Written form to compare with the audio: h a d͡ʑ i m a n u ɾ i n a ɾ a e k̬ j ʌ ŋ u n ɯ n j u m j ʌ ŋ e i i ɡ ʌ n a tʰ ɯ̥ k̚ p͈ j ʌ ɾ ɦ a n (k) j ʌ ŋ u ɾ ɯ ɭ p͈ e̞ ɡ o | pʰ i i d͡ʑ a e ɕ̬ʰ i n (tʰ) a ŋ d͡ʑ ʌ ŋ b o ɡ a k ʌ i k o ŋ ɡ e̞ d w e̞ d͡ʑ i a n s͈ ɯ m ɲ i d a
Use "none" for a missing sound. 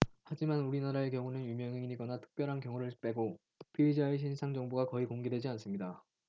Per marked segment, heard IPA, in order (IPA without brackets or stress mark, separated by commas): k, sʰ